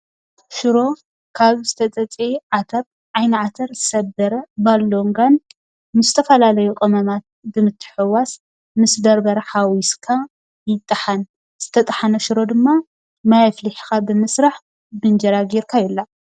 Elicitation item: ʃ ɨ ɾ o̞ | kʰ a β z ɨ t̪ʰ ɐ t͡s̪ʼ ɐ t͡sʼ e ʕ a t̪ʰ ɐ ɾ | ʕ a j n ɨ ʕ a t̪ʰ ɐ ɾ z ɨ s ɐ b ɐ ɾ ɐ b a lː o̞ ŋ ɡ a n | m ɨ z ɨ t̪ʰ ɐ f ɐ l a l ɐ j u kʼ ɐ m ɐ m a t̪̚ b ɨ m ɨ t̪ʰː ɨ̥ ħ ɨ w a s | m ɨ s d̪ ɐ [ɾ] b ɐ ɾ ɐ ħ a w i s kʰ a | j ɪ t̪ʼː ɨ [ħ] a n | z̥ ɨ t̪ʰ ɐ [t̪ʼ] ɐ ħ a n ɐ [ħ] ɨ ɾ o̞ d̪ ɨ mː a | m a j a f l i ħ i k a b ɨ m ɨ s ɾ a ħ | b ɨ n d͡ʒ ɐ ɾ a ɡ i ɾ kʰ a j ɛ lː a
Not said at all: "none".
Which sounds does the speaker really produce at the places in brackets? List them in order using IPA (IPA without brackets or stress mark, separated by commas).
ɾ, ħ, t̪ʼ, ʃ